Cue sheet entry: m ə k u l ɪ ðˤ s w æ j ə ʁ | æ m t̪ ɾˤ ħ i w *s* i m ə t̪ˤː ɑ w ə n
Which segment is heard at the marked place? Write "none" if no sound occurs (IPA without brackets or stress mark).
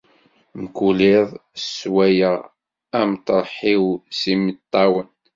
s